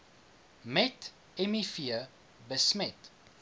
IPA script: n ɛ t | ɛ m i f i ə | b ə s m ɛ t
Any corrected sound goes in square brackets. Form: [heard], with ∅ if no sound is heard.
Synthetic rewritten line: [m] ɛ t | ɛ m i f i ə | b ə s m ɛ t